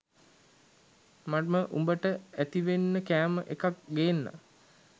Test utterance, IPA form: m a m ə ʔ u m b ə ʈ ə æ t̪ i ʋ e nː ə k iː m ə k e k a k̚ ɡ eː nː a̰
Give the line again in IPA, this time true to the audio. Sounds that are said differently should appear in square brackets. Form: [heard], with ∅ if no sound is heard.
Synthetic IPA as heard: m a m ə ʔ u m b ə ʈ ə æ t̪ i ʋ e nː ə k [æː] m ə [ʔ] e k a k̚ ɡ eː nː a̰